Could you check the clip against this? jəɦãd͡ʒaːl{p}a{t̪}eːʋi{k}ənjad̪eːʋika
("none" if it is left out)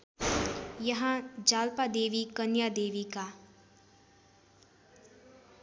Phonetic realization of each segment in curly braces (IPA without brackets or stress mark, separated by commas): p, d̪, k